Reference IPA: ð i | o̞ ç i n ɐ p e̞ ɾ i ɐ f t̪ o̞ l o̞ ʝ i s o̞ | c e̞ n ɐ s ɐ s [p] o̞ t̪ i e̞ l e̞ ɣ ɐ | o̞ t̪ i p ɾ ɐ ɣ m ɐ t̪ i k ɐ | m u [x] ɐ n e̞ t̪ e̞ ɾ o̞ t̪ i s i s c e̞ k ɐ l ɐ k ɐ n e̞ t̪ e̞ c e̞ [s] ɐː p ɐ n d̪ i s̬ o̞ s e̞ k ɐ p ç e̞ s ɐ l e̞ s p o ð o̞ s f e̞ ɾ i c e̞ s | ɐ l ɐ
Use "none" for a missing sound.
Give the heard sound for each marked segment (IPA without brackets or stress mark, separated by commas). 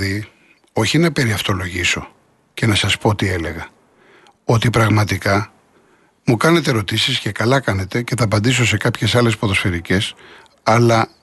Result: p, k, θ